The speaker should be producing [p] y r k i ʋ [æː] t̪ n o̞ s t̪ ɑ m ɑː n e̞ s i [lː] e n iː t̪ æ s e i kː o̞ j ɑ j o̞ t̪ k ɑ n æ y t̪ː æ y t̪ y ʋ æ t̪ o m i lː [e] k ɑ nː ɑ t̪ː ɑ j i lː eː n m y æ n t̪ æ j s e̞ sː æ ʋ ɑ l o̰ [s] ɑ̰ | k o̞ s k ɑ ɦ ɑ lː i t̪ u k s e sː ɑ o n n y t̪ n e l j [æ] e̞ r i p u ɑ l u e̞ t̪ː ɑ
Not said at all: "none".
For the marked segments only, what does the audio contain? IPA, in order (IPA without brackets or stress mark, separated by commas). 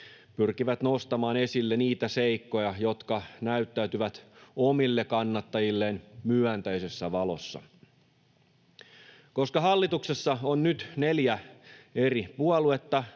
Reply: p, æ, lː, e, sː, æ